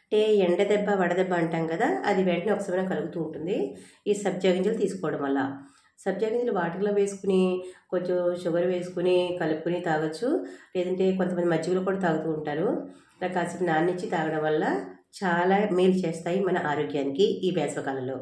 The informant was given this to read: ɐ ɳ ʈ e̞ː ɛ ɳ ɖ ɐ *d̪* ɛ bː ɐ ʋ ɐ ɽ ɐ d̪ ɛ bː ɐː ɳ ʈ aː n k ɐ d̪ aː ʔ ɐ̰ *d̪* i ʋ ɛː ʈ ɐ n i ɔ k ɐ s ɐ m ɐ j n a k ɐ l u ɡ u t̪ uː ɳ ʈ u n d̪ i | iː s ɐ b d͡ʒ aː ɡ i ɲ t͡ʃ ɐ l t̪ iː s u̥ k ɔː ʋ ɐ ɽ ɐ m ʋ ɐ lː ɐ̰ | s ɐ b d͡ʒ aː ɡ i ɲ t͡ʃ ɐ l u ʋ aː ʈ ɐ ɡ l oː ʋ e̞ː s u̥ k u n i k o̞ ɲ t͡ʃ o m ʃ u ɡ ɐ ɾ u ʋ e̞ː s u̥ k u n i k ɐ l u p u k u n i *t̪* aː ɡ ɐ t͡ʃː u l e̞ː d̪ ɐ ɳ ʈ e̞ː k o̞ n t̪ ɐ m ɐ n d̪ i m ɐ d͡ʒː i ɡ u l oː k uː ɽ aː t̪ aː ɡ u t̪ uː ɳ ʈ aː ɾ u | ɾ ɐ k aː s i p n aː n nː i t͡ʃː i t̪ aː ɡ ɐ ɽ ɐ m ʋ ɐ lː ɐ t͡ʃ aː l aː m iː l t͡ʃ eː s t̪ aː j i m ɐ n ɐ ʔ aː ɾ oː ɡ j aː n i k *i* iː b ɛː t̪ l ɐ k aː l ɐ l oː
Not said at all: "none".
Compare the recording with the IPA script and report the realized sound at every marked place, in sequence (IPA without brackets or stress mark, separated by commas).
d̪, d̪, t̪, i